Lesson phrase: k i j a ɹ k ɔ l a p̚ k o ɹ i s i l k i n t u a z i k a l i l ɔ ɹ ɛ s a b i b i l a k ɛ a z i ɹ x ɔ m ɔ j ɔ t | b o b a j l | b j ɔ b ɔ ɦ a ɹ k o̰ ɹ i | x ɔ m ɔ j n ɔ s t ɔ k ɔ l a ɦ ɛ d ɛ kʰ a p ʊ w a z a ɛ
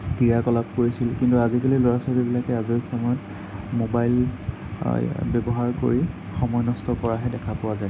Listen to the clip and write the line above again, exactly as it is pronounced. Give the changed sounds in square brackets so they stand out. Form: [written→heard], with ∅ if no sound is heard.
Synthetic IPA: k i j a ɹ k ɔ l a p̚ k o ɹ i s i l k i n t u a z i k a l i l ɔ ɹ [ɛ→a] s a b i b i l a k ɛ a z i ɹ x ɔ m ɔ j ɔ t | [b→m] o b a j l | b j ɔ b ɔ ɦ a ɹ k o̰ ɹ i | x ɔ m ɔ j n ɔ s t ɔ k ɔ [l→ɹ] a ɦ ɛ d ɛ kʰ a p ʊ w a z a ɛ